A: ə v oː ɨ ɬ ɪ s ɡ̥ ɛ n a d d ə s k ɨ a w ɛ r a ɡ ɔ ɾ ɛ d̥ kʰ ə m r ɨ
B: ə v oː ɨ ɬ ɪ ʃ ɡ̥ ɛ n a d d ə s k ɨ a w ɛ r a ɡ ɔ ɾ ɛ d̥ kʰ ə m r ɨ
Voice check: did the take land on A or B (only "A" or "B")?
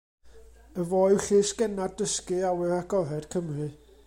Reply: A